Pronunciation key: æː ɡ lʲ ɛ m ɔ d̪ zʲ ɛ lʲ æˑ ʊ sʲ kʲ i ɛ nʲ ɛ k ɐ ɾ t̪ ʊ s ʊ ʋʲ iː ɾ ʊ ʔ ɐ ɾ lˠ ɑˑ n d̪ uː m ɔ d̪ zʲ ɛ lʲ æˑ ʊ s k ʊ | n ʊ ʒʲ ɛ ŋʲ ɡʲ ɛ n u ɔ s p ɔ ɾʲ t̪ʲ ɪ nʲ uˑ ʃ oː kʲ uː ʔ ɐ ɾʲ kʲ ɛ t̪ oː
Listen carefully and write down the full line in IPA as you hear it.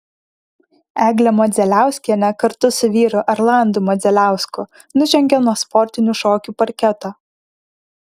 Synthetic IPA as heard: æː ɡ lʲ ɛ m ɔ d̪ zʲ ɛ lʲ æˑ ʊ sʲ kʲ i ɛ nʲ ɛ k ɐ ɾ t̪ ʊ s ʊ ʋʲ iː ɾ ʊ ʔ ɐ ɾ lˠ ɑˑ n d̪ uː m ɔ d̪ zʲ ɛ lʲ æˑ ʊ s k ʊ | n ʊ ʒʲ ɛ ŋʲ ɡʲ ɛ n u ɔ s p ɔ ɾʲ t̪ʲ ɪ nʲ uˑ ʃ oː kʲ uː p ɐ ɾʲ kʲ ɛ t̪ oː

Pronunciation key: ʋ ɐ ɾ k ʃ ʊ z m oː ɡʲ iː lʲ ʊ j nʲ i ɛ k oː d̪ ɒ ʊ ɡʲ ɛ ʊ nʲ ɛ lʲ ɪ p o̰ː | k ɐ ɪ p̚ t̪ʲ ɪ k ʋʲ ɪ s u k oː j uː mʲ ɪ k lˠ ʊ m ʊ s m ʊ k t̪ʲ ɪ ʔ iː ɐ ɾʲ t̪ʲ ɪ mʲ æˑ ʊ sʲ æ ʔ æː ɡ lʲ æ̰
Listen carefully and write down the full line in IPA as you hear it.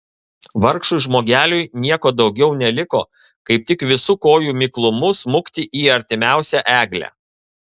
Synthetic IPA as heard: ʋ ɐ ɾ k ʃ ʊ ʒ m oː ɡʲ æː lʲ ʊ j nʲ i ɛ k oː d̪ ɒ ʊ ɡʲ ɛ ʊ nʲ ɛ lʲ ɪ k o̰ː | k ɐ ɪ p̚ t̪ʲ ɪ k ʋʲ ɪ s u k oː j uː mʲ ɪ k lˠ ʊ m ʊ s m ʊ k t̪ʲ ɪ ʔ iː ɐ ɾʲ t̪ʲ ɪ mʲ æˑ ʊ sʲ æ ʔ æː ɡ lʲ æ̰

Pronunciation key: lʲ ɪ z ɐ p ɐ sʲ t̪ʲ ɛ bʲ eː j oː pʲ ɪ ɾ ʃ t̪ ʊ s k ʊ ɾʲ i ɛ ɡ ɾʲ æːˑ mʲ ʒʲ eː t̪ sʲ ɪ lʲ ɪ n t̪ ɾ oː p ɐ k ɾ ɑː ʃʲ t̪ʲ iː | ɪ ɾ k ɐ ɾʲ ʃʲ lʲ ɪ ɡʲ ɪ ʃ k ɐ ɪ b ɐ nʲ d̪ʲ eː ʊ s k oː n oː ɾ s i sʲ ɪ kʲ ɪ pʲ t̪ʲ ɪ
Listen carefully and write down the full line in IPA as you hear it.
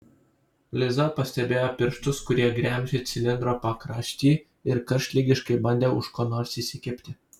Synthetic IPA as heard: lʲ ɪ z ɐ p ɐ sʲ t̪ʲ ɛ bʲ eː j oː pʲ ɪ ɾ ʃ t̪ ʊ s k ʊ ɾʲ i ɛ ɡ ɾʲ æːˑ mʲ ʒʲ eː t̪ sʲ ɪ lʲ ɪ n d̪ ɾ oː p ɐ k ɾ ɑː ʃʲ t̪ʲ iː | ɪ ɾ k ɐ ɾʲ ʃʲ lʲ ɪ ɡʲ ɪ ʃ k ɐ ɪ b ɐ nʲ d̪ʲ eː ʊ ʃ k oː n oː ɾ s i sʲ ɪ kʲ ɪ pʲ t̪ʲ ɪ

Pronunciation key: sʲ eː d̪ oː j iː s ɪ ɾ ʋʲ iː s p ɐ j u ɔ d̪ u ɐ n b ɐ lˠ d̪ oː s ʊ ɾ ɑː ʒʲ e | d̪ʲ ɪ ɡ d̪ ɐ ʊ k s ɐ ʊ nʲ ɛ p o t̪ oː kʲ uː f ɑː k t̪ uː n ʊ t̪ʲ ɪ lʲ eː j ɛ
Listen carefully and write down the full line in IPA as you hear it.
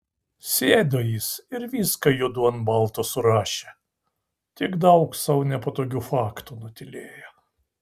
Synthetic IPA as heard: sʲ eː d̪ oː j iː s ɪ ɾ ʋʲ iː s k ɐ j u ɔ d̪ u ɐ n b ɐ lˠ t̪ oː s ʊ ɾ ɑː ʃʲ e | t̪ʲ ɪ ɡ d̪ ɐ ʊ k s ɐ ʊ nʲ ɛ p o t̪ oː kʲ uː f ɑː k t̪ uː n ʊ t̪ʲ ɪ lʲ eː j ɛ

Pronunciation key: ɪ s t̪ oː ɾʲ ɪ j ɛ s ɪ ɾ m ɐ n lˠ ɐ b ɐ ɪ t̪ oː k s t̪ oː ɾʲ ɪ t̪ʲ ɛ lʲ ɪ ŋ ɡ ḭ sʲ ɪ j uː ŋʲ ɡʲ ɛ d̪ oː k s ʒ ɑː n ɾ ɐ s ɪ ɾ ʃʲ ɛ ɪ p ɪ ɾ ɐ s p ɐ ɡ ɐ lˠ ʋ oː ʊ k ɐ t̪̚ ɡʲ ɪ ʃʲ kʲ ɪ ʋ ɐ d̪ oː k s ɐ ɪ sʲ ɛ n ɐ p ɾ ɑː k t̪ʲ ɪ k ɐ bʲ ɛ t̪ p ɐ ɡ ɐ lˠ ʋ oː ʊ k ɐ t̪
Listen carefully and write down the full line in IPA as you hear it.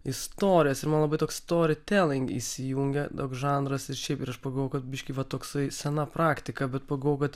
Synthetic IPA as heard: ɪ s t̪ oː ɾʲ ɪ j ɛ s ɪ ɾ m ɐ n lˠ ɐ b ɐ ɪ t̪ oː k s t̪ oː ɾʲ ɪ t̪ʲ ɛ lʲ ɪ ŋ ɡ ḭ sʲ ɪ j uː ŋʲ ɡʲ ɛ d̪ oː k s ʒ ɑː n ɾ ɐ s ɪ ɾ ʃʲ ɛ ɪ p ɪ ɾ ɐ ʃ p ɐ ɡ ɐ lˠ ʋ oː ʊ k ɐ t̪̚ bʲ ɪ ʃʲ kʲ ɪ ʋ ɐ t̪ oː k s ɐ ɪ sʲ ɛ n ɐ p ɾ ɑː k t̪ʲ ɪ k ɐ bʲ ɛ t̪ p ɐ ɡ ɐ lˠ ʋ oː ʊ k ɐ t̪

